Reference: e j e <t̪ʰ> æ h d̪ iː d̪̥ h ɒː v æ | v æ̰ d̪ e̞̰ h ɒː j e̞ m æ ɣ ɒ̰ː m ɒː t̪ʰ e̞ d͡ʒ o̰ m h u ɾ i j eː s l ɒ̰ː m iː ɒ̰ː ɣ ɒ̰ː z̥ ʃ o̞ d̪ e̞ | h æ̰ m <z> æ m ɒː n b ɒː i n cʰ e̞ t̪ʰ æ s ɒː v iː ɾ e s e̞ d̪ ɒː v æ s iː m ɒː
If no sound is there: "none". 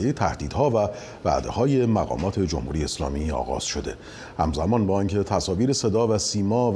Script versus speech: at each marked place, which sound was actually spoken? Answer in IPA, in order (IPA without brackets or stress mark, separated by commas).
t̪ʰ, z